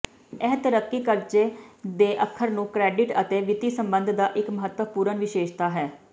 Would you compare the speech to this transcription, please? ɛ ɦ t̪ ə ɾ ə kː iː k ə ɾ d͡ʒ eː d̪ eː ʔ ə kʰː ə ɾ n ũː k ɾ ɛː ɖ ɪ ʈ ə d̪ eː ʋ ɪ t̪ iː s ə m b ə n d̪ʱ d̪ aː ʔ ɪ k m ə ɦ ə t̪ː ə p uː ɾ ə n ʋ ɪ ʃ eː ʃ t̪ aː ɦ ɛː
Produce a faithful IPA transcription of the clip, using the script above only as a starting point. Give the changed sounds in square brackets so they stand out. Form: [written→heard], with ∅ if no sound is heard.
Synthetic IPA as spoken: ɛ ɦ t̪ ə ɾ ə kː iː k ə ɾ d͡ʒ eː d̪ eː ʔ ə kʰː ə ɾ n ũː k ɾ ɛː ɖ ɪ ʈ ə [d̪→t̪] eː ʋ ɪ t̪ iː s ə m b ə n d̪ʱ d̪ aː ʔ ɪ k m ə ɦ ə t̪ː ə p uː ɾ ə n ʋ ɪ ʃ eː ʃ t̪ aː ɦ ɛː